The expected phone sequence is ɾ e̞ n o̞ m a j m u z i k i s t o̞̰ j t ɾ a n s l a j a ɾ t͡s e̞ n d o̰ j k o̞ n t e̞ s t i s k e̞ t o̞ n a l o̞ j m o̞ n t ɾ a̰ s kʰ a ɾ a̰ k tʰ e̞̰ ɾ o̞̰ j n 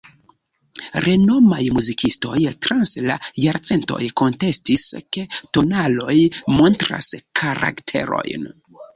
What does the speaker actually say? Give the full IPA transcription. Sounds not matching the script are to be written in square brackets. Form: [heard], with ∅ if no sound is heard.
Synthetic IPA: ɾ e̞ n o̞ m a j m u z i k i s t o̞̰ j t ɾ a n s l a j a ɾ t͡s e̞ n [t] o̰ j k o̞ n t e̞ s t i s k e̞ t o̞ n a l o̞ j m o̞ n t ɾ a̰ s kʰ a ɾ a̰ k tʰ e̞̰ ɾ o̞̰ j n